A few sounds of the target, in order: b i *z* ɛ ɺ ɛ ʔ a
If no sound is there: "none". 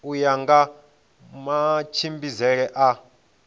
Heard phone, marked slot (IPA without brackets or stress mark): z